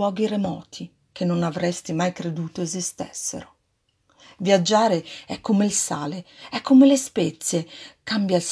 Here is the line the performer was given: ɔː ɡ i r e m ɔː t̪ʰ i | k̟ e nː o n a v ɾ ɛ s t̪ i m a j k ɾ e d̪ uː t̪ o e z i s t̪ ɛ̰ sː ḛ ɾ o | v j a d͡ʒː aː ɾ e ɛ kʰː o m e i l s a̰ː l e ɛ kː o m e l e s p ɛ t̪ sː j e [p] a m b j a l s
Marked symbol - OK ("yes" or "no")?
no